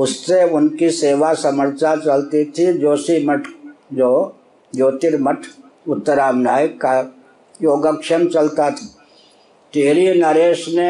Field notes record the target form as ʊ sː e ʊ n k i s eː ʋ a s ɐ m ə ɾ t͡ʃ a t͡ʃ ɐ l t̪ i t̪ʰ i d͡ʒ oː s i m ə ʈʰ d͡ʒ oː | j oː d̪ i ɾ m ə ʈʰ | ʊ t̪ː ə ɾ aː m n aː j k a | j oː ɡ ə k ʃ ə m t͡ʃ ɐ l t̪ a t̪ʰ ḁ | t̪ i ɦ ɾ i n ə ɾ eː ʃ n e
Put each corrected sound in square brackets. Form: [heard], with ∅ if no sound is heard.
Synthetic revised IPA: ʊ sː e ʊ n k i s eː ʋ a s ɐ m ə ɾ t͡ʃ a t͡ʃ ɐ l t̪ i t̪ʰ i d͡ʒ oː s i m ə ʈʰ d͡ʒ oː | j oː [t̪] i ɾ m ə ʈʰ | ʊ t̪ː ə ɾ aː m n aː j k a | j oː ɡ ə k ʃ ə m t͡ʃ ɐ l t̪ a t̪ʰ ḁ | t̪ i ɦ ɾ i n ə ɾ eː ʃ n e